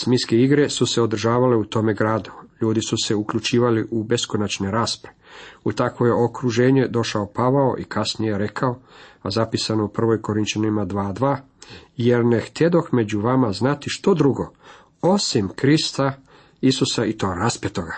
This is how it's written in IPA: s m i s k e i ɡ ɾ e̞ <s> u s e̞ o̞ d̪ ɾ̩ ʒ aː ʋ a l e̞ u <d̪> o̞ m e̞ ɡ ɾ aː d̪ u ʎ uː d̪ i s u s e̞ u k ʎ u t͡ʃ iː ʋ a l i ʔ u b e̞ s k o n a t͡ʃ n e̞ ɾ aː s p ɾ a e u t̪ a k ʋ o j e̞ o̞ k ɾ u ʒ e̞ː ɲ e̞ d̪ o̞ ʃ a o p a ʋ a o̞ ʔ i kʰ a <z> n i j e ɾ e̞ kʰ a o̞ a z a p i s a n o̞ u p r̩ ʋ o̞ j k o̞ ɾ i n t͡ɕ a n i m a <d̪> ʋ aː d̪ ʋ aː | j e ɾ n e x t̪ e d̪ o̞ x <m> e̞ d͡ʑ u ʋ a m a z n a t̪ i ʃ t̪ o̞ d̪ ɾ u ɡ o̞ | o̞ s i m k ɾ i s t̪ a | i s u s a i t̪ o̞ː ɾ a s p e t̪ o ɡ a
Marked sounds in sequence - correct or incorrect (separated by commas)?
correct, incorrect, incorrect, correct, correct